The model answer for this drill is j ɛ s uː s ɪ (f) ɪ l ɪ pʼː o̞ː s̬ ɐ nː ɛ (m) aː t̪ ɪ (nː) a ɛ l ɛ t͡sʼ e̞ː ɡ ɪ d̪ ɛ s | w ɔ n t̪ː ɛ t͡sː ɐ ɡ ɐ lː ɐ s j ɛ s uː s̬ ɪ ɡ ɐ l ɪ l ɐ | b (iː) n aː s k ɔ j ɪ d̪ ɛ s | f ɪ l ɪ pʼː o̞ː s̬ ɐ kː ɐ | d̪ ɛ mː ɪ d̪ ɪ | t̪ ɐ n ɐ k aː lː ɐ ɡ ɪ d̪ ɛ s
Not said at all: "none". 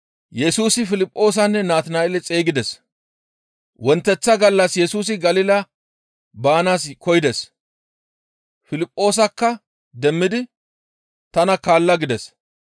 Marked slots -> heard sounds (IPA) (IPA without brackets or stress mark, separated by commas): f, n, n, aː